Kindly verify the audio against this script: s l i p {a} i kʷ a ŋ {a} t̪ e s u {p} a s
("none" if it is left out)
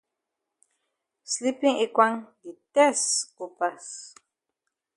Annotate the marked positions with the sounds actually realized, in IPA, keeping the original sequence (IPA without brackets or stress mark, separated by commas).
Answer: i, i, p